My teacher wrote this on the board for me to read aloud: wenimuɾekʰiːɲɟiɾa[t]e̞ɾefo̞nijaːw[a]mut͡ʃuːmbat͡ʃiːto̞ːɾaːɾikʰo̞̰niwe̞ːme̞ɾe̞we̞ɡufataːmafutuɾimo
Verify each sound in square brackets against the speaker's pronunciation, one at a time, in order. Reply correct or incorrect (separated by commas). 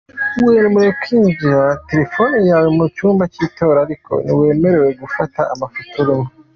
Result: correct, incorrect